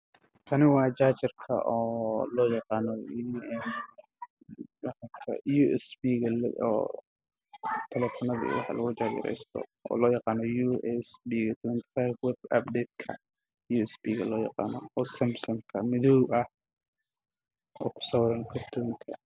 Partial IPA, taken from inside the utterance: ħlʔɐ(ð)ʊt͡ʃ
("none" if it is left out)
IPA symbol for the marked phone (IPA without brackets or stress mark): ɣ